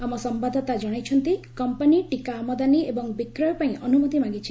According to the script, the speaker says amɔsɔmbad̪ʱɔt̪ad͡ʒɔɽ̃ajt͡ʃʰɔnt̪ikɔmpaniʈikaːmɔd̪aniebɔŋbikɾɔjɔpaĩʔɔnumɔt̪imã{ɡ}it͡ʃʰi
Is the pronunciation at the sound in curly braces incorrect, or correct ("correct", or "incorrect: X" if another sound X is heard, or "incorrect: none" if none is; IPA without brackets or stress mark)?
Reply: correct